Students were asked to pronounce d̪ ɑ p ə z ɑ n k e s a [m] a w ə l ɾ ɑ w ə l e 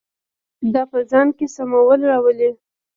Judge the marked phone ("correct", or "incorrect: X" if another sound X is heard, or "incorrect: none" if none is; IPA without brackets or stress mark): correct